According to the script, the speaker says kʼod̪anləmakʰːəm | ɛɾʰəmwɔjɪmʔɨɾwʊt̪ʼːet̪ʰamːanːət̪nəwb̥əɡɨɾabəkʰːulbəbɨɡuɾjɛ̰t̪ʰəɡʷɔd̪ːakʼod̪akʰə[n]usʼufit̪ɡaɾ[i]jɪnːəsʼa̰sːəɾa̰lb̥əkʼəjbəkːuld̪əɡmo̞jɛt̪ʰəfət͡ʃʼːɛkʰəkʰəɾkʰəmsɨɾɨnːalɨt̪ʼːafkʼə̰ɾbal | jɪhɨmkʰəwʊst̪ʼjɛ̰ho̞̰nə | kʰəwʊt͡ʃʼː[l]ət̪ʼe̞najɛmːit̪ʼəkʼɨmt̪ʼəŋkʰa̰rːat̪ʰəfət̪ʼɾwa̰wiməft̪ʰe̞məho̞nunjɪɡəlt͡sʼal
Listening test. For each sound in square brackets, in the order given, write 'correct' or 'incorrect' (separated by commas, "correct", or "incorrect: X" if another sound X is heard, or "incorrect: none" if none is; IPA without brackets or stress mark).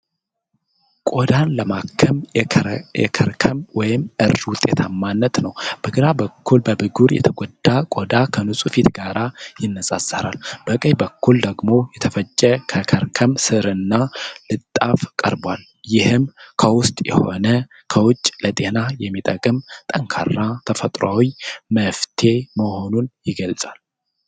correct, incorrect: a, correct